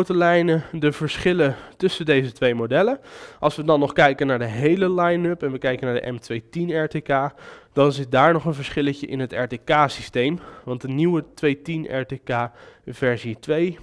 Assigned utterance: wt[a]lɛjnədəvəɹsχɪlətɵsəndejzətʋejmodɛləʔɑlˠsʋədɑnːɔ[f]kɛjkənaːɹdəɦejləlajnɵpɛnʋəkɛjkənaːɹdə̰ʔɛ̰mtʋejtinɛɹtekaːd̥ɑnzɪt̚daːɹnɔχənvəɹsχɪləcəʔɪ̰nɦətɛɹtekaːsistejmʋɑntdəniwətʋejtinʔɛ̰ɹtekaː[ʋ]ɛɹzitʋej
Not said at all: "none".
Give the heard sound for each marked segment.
ə, χ, v

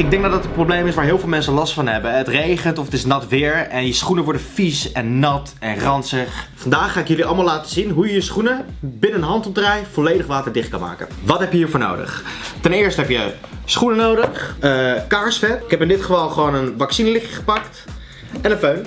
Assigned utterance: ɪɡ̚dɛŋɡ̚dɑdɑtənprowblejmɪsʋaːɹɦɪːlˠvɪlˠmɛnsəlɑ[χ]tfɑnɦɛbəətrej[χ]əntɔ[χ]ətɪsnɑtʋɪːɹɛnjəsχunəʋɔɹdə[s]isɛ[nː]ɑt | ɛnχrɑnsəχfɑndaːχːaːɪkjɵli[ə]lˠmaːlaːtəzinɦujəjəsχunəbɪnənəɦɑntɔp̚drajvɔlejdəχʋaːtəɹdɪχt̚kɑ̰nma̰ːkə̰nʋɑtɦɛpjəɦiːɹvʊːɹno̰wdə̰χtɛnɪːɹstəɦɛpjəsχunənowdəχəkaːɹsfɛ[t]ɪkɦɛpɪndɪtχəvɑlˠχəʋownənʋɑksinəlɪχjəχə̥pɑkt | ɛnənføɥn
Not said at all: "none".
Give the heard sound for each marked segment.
s, χ, f, f, nː, ɑ, t

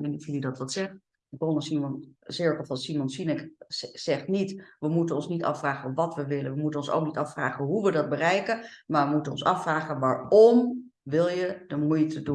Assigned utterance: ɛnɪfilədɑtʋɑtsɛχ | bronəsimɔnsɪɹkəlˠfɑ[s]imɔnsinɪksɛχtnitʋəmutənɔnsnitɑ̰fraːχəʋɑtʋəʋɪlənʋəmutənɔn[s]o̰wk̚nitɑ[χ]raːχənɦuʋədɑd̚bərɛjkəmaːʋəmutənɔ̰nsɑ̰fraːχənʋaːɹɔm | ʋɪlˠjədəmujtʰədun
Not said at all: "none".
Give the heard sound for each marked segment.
s, s, f

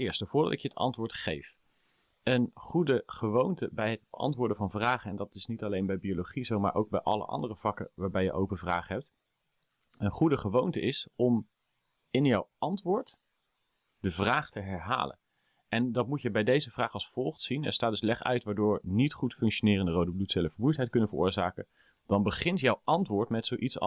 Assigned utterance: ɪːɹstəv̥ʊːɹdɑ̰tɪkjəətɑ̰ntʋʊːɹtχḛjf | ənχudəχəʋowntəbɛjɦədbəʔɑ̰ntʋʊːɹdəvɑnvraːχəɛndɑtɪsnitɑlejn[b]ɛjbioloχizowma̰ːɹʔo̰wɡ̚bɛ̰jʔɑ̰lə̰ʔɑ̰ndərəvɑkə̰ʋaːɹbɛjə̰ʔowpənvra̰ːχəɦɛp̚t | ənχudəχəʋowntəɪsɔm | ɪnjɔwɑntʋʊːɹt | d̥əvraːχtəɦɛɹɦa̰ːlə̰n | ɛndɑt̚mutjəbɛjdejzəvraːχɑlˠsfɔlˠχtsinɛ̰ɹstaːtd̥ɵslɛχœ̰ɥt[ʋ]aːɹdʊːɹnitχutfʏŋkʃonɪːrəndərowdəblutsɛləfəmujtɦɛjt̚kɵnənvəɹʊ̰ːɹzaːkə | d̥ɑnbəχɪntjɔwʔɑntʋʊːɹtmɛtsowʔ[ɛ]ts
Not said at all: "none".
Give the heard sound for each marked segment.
b, ʋ, i

